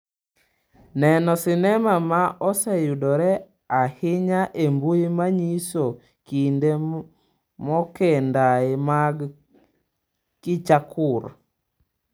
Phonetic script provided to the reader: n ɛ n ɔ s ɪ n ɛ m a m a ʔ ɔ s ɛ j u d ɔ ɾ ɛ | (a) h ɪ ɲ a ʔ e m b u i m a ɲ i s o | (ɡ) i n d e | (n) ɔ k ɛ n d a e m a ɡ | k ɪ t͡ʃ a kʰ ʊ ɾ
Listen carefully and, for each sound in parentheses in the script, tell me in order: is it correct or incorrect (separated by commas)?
correct, incorrect, incorrect